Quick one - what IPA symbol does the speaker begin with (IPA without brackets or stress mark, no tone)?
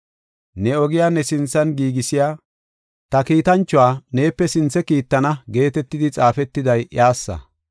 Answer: n